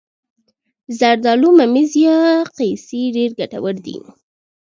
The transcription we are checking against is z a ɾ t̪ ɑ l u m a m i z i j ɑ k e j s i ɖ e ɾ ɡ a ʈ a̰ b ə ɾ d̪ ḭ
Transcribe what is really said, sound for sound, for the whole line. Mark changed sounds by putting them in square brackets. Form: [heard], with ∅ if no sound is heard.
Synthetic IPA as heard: z a ɾ [d̪] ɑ l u m a m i z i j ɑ [q] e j s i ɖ e ɾ ɡ a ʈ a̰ [w] ə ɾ d̪ ḭ